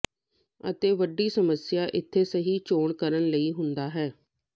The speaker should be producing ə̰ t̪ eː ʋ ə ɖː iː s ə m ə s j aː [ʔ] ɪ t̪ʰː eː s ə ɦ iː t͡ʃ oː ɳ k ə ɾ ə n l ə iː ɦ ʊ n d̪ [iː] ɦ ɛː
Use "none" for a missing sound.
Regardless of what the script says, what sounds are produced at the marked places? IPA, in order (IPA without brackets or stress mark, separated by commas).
ʔ, aː